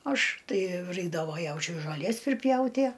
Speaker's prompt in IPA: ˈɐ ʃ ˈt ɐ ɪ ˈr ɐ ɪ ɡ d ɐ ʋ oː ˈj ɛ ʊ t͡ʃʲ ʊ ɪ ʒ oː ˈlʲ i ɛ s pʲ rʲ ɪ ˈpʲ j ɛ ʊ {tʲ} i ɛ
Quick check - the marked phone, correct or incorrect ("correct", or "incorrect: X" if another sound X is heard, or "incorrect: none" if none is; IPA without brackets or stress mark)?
correct